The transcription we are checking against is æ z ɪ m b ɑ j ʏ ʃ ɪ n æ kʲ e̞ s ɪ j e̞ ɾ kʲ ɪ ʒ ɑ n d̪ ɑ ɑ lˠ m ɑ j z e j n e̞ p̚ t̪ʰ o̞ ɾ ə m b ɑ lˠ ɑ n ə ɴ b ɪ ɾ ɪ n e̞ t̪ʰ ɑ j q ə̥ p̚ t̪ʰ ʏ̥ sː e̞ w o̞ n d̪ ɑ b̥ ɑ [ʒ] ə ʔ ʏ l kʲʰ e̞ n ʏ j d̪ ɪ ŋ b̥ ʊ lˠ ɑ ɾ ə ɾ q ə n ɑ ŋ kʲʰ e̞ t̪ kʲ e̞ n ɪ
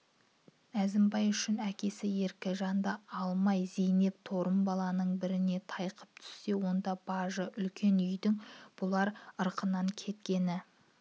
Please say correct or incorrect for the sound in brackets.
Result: correct